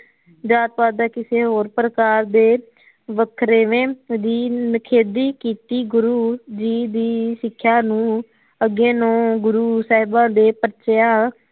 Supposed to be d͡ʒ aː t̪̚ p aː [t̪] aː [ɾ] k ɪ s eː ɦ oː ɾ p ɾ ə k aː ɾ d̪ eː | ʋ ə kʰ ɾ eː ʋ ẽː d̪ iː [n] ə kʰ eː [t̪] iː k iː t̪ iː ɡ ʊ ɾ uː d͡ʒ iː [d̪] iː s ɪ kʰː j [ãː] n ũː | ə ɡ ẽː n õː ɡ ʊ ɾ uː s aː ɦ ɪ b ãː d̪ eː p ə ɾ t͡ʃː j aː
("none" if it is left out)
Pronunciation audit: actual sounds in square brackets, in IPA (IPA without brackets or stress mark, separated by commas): d̪, none, n, d̪, d̪, aː